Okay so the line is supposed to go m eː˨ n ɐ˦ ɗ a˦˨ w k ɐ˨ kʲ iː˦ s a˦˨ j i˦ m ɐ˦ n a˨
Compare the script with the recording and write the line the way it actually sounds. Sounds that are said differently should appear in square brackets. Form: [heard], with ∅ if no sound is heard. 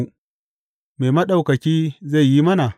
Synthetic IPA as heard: m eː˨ [m] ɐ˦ ɗ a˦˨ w k ɐ˨ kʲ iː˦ [z] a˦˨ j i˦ m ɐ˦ n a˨